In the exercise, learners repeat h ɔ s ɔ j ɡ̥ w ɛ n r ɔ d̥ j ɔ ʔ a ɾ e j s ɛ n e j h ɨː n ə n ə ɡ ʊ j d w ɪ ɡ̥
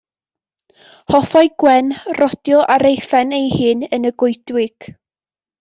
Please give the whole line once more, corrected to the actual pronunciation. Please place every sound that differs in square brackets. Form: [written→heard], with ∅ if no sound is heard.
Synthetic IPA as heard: h ɔ [s→f] ɔ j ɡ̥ w ɛ n r ɔ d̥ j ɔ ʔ a ɾ e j [s→f] ɛ n e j h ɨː n ə n ə ɡ ʊ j d w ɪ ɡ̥